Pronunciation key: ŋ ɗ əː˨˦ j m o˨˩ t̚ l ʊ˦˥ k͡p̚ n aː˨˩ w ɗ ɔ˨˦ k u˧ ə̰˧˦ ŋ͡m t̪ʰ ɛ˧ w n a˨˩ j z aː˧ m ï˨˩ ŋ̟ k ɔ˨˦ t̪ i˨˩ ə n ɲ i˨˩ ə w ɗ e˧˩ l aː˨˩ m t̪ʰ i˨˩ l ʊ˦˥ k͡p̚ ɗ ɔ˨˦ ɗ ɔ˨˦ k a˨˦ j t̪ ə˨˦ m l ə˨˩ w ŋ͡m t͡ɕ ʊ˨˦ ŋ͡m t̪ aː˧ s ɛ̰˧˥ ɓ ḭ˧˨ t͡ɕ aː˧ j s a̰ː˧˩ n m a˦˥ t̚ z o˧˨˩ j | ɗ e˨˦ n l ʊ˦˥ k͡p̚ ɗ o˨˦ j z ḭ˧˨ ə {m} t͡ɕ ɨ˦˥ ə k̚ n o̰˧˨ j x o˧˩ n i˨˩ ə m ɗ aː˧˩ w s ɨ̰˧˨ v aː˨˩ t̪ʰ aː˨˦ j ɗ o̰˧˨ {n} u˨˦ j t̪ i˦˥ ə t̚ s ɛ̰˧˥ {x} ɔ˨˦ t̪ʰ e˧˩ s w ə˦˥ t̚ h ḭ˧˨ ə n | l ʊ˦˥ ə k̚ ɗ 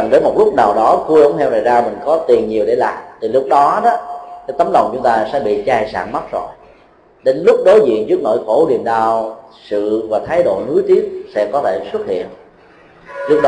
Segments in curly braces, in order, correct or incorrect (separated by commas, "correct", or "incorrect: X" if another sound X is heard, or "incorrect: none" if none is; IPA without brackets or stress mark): incorrect: n, correct, incorrect: k